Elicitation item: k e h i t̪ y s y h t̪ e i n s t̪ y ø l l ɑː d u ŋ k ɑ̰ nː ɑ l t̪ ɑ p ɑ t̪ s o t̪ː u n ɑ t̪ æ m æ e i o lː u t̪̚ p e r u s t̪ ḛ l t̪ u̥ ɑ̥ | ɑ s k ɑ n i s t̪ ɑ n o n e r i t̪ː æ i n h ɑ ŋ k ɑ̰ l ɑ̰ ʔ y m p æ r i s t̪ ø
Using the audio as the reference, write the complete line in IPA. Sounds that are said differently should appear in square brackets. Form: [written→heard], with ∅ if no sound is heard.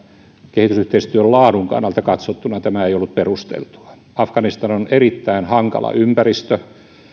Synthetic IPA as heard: k e h i t̪ y s y h t̪ e i [n→∅] s t̪ y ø l l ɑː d u ŋ k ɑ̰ nː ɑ l t̪ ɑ [p→k] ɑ t̪ s o t̪ː u n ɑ t̪ æ m æ e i o lː u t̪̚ p e r u s t̪ ḛ l t̪ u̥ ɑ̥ | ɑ [s→f] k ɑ n i s t̪ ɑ n o n e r i t̪ː æ i n h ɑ ŋ k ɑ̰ l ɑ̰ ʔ y m p æ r i s t̪ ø